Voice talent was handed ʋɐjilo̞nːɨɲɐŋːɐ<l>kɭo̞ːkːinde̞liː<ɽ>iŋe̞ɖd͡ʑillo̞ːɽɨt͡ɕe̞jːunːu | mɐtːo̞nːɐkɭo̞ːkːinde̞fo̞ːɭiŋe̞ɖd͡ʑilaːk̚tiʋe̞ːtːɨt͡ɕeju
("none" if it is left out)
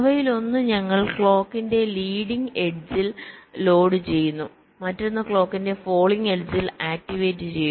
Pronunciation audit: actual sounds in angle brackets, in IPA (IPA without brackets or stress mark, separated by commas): ɭ, ɽ